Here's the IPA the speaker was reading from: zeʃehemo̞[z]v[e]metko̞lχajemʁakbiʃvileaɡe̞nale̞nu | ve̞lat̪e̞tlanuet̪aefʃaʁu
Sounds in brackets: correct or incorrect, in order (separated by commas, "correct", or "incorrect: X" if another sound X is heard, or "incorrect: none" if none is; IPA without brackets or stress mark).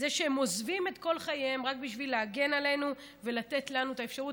correct, incorrect: i